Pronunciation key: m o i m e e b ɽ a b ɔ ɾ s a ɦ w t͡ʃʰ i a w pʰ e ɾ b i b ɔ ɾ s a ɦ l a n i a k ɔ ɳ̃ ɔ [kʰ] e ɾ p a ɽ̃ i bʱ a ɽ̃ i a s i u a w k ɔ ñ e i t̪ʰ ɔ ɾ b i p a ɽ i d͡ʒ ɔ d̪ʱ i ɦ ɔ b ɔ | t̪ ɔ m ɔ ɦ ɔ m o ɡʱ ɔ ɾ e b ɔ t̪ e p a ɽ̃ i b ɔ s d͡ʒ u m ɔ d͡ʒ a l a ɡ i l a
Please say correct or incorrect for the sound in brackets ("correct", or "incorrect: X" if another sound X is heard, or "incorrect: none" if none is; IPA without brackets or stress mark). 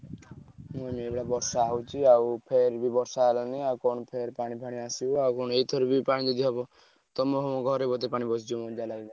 incorrect: pʰ